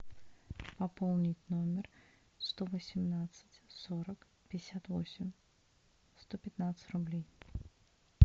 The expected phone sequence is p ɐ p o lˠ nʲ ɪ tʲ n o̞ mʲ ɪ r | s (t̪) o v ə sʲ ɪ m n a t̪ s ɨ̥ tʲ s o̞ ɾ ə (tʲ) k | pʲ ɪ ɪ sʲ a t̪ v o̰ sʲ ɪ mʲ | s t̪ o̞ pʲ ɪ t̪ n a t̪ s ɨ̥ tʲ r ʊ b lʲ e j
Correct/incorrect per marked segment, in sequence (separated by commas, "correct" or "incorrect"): correct, incorrect